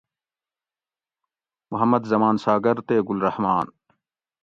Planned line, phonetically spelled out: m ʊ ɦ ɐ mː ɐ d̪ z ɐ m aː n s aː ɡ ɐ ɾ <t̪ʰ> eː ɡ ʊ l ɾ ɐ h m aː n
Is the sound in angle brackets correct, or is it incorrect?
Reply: incorrect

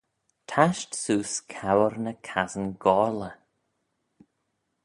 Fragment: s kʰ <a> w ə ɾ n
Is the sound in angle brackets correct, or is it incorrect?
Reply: correct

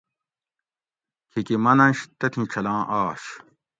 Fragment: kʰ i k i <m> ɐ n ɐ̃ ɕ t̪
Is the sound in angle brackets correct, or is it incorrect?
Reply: correct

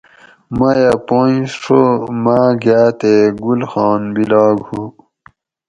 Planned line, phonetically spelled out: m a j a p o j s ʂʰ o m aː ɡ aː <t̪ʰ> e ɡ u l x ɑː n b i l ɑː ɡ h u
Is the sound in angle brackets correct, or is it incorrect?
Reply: incorrect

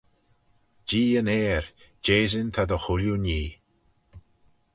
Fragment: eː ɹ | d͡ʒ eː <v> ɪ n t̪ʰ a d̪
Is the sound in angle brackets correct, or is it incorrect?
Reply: incorrect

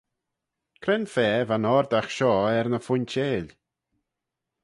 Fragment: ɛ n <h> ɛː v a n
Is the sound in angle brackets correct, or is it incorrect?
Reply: incorrect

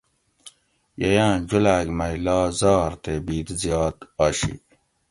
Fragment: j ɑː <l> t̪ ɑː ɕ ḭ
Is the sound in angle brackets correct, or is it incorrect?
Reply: incorrect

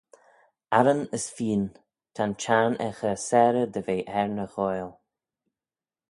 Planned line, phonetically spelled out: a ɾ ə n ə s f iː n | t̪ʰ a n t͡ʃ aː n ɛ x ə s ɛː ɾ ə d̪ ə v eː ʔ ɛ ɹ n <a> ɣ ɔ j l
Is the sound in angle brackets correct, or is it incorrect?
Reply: incorrect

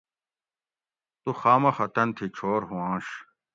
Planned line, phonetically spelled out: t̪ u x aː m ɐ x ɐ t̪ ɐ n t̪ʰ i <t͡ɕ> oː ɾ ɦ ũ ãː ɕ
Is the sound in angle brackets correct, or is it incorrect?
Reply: incorrect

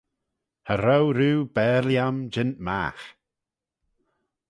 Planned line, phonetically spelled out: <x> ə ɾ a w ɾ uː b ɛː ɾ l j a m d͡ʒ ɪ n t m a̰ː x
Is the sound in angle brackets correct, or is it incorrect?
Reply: incorrect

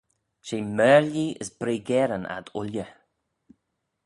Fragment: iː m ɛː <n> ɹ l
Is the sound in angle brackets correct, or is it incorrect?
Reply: incorrect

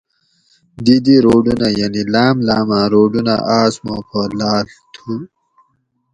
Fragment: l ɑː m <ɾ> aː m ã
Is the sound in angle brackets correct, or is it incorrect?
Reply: incorrect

